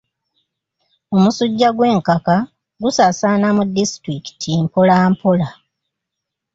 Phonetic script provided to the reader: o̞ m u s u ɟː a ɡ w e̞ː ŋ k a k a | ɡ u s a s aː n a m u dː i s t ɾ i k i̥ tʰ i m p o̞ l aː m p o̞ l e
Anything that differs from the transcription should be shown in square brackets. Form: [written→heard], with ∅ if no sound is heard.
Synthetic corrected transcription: o̞ m u s u ɟː a ɡ w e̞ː ŋ k a k a | ɡ u s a s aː n a m u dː i s t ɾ i k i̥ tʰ i m p o̞ l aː m p o̞ l [e→a]